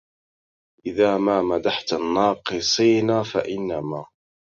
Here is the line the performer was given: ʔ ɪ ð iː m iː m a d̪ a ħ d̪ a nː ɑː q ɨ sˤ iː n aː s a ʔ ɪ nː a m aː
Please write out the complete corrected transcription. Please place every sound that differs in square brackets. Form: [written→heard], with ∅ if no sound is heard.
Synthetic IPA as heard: ʔ ɪ ð [iː→aː] m [iː→aː] m a d̪ a ħ [d̪→t̪] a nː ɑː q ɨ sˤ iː n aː [s→f] a ʔ ɪ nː a m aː